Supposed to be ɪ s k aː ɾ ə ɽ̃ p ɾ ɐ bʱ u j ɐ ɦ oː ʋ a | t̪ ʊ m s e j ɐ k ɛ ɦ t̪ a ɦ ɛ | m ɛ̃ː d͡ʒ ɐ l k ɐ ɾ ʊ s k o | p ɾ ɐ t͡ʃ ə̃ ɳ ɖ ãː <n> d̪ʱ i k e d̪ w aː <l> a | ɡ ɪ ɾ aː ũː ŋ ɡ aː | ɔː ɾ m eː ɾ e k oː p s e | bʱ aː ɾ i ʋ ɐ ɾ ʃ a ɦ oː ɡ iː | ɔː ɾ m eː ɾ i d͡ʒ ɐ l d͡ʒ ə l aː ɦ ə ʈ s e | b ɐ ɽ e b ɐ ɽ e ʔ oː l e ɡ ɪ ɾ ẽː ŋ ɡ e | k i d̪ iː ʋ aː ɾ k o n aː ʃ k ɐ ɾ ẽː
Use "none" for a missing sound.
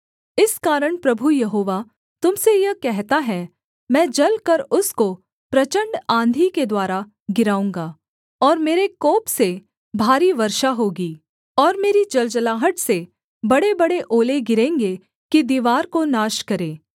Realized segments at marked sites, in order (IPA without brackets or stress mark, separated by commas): n, ɾ